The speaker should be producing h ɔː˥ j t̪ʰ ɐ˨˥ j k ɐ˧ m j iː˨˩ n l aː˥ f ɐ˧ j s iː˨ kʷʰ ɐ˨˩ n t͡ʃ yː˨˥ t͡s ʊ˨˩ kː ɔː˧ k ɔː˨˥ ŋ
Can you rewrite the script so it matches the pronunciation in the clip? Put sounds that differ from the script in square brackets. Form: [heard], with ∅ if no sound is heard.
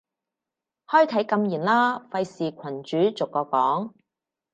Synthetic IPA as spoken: h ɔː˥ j t̪ʰ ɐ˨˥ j k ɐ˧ m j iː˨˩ n l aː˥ f ɐ˧ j s iː˨ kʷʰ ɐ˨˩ n t͡ʃ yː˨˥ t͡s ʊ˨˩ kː ɔː˧ k ɔː˨˥ ŋ